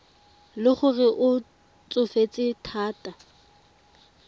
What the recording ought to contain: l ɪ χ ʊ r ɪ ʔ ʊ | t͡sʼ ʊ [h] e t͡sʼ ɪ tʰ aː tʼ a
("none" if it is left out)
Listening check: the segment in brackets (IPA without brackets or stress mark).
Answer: f